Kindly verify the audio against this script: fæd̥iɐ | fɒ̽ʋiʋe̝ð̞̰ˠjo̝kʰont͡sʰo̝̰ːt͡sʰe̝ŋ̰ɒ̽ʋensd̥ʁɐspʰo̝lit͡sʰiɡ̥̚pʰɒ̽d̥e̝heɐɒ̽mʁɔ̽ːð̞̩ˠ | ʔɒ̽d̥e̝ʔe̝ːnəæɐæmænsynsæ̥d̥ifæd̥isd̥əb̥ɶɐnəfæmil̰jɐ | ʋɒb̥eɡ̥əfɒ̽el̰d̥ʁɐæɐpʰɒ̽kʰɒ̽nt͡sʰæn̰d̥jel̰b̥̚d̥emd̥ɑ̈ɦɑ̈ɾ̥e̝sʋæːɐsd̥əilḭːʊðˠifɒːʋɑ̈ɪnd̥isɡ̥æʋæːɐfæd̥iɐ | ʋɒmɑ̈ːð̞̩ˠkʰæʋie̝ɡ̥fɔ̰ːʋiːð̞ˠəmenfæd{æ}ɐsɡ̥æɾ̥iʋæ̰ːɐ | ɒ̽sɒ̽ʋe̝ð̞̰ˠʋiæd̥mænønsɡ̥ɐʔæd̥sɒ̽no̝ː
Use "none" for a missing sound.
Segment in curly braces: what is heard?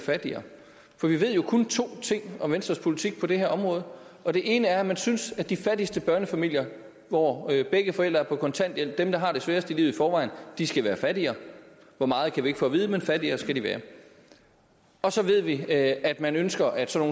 i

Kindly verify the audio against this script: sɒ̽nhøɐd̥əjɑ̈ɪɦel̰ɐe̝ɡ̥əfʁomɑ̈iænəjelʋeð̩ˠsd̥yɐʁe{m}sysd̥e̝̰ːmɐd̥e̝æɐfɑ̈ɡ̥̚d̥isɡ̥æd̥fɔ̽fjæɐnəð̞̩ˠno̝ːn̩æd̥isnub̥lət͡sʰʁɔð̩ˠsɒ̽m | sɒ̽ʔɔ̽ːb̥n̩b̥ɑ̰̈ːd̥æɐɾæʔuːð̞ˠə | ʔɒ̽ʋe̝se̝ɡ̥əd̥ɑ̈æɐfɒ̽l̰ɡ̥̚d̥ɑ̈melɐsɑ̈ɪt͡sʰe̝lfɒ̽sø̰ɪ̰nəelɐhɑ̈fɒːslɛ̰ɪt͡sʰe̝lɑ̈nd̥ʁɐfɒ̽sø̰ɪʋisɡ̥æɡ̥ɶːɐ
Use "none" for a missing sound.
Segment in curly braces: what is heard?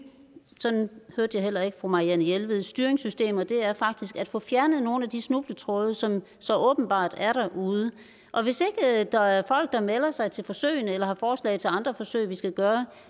ŋ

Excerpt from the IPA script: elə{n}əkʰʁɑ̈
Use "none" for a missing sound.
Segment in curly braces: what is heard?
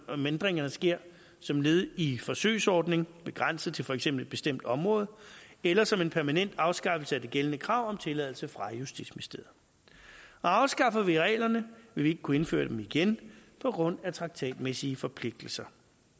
n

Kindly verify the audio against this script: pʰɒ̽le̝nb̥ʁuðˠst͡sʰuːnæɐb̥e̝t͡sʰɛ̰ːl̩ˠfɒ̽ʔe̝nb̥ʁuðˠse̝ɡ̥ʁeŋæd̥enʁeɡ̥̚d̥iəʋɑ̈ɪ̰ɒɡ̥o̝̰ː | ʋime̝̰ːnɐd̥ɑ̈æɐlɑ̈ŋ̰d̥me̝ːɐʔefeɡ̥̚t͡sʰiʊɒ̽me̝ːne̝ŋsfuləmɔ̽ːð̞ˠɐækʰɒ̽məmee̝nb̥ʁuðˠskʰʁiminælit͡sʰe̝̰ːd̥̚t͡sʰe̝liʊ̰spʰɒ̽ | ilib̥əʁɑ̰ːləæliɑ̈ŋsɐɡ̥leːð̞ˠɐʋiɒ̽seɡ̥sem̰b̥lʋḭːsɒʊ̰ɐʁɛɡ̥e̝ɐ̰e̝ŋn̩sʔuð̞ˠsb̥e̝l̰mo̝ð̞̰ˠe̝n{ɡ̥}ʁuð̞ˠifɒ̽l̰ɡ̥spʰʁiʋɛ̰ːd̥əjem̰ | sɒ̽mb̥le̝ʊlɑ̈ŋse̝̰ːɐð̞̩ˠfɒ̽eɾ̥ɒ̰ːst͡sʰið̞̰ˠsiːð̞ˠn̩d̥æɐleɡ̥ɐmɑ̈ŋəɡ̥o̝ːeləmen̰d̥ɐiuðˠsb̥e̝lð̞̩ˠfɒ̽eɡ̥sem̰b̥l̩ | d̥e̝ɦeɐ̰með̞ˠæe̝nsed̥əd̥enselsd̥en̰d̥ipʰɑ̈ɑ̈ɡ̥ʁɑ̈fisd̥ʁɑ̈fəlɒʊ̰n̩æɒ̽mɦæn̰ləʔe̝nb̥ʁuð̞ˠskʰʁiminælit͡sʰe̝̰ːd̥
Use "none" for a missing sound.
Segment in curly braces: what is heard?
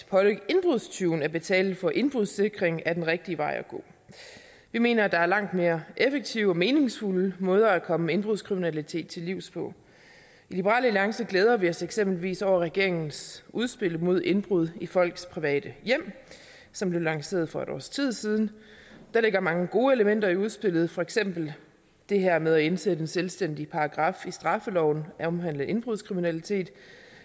b̥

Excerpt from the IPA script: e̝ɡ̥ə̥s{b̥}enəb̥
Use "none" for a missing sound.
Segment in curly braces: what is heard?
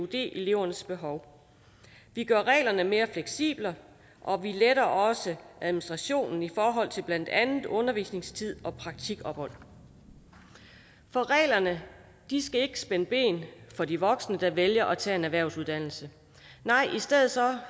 b̥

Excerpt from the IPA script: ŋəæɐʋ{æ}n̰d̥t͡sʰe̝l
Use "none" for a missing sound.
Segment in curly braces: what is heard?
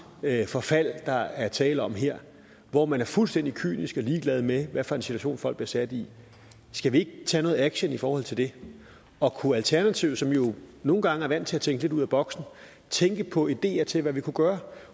æ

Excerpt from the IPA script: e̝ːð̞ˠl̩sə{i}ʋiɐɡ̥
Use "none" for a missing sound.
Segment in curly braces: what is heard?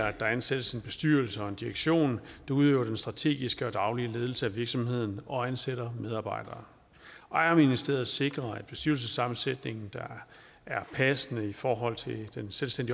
æ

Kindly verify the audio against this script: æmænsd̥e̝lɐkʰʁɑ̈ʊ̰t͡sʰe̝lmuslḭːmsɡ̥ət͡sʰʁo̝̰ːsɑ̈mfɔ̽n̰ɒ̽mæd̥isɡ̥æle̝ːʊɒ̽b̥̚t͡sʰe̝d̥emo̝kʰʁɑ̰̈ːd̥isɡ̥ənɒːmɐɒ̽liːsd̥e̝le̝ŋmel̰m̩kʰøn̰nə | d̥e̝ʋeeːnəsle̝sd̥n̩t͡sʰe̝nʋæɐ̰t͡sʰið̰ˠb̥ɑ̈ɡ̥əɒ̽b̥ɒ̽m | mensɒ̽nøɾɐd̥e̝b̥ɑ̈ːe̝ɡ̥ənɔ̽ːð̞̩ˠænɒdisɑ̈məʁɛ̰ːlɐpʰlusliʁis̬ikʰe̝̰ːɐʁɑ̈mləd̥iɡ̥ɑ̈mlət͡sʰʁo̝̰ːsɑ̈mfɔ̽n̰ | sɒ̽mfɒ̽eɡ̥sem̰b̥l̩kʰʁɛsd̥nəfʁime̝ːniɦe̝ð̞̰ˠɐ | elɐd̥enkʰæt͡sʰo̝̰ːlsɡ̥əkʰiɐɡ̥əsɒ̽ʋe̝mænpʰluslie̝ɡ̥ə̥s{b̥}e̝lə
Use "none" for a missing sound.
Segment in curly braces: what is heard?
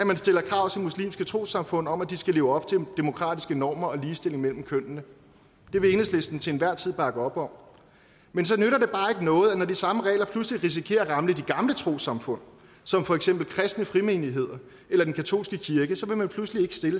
d̥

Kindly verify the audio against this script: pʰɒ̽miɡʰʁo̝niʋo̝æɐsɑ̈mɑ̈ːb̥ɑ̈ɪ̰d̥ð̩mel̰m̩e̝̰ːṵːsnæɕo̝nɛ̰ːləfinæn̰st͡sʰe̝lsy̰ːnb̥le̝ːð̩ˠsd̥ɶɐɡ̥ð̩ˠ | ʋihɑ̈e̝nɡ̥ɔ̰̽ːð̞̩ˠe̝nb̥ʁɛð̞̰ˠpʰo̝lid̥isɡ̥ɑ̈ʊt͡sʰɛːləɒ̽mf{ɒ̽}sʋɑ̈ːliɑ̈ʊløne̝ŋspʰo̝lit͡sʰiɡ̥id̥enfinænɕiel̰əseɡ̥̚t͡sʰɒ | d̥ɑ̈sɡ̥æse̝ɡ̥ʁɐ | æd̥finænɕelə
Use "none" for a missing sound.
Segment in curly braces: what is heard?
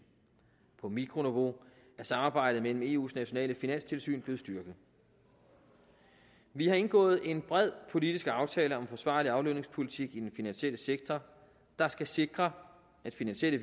ɒ̽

